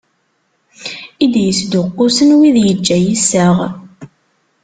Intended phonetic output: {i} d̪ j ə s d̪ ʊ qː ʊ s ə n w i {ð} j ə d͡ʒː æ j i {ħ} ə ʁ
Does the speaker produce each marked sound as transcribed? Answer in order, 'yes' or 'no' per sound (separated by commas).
yes, yes, no